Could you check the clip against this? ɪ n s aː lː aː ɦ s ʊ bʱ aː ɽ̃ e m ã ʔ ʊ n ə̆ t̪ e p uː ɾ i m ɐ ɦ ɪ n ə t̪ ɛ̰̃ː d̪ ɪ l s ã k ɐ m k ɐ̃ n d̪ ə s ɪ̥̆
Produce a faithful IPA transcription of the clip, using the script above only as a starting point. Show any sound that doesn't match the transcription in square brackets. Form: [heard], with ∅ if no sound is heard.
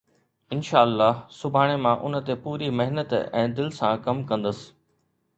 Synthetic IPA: ɪ n [ʃ] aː lː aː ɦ s ʊ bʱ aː ɽ̃ e m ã ʔ ʊ n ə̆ t̪ e p uː ɾ i m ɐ ɦ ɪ n ə t̪ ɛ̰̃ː d̪ ɪ l s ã k ɐ m k ɐ̃ n d̪ ə s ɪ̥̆

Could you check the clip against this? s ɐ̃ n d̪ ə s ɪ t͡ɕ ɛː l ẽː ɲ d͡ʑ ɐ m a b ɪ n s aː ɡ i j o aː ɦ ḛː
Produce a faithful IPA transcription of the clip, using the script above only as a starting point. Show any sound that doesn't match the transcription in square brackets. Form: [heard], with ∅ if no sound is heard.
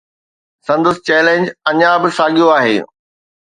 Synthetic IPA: s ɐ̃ n d̪ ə s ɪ t͡ɕ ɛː l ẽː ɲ d͡ʑ ɐ [ɲ] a b ɪ [∅] s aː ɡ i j o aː ɦ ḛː

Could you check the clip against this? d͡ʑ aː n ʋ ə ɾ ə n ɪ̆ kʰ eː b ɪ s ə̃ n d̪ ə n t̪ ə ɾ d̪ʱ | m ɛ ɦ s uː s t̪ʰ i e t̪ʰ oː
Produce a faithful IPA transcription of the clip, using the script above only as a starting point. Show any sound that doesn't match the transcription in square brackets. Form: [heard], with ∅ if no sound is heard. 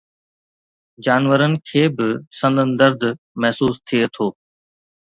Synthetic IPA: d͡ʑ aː n ʋ ə ɾ ə n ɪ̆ kʰ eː b ɪ s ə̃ n d̪ ə n [d̪] ə ɾ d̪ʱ | m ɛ ɦ s uː s t̪ʰ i e t̪ʰ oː

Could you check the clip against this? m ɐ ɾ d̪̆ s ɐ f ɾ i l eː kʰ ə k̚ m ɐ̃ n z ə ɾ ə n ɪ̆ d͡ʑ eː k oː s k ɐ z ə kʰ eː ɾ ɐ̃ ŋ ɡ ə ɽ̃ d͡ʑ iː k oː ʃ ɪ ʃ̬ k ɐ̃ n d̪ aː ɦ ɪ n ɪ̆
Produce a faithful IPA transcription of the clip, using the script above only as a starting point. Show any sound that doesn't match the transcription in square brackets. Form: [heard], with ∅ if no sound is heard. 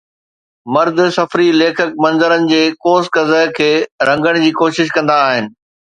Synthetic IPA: m ɐ ɾ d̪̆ s ɐ f ɾ i l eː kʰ ə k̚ m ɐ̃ n z ə ɾ ə n ɪ̆ d͡ʑ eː k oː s k ɐ z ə kʰ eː ɾ ɐ̃ ŋ ɡ ə ɽ̃ d͡ʑ iː k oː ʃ ɪ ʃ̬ k ɐ̃ n d̪ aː ɦ ɪ n ɪ̆

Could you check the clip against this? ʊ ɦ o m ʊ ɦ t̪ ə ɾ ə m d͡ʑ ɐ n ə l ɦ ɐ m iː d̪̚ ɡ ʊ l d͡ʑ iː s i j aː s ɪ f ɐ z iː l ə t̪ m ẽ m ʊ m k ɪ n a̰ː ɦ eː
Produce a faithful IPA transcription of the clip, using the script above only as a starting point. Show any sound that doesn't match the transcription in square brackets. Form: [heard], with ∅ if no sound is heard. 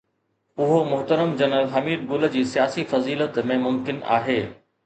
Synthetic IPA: ʊ ɦ o m ʊ ɦ t̪ ə ɾ ə m d͡ʑ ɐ n ə l ɦ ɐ m iː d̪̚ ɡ ʊ l d͡ʑ iː s i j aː s [i] f ɐ z iː l ə t̪ m ẽ m ʊ m k ɪ n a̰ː ɦ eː

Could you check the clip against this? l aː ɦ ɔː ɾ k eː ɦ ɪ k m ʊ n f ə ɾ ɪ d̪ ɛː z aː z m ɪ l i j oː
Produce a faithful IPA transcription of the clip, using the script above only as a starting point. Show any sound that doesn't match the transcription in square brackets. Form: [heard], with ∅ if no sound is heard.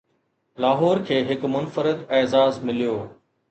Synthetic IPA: l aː ɦ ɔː ɾ [kʰ] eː ɦ ɪ k m ʊ n f ə ɾ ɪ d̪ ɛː z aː z m ɪ l i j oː

